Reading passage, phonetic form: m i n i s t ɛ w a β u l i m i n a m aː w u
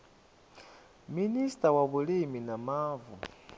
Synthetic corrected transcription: m i n i s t a w a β u l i m i n a m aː v u